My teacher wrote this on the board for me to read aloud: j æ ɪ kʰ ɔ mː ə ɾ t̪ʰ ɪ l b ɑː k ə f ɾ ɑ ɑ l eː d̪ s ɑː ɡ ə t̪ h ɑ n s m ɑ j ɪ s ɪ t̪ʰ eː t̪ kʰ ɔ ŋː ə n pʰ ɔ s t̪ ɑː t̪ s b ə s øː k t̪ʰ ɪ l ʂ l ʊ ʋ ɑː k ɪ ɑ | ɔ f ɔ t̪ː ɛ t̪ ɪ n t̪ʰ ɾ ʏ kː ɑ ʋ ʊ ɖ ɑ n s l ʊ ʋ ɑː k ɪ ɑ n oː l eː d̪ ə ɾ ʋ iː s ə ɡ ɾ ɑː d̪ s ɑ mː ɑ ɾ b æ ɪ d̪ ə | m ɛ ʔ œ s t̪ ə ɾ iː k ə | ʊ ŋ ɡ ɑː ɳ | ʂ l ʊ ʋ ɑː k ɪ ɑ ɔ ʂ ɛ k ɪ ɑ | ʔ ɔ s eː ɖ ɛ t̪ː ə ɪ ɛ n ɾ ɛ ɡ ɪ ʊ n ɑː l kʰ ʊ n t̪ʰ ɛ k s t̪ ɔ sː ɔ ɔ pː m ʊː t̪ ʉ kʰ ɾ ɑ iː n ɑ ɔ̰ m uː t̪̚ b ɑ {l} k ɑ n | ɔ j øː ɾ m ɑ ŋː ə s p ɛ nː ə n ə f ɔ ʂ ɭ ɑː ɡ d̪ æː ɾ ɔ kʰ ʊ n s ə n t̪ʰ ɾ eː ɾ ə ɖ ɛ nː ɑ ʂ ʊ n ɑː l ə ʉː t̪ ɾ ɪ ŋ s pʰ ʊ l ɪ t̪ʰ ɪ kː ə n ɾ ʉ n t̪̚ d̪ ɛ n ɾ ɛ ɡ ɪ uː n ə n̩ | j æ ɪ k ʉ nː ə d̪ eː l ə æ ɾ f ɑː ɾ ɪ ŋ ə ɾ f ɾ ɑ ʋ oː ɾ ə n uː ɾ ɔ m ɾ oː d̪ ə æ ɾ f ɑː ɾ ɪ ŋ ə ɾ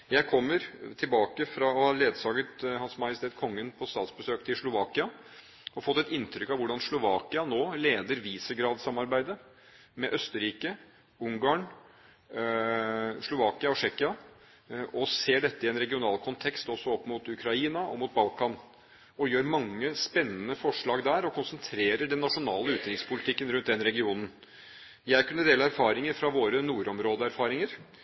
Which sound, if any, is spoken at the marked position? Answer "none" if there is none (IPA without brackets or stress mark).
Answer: l